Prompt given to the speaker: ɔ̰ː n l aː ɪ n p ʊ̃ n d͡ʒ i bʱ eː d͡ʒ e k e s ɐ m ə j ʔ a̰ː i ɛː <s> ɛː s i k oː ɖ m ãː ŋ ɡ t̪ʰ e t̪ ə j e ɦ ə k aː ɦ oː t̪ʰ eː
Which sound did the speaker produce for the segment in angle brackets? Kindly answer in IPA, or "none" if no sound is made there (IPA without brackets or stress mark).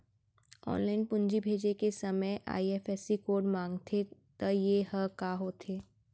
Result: f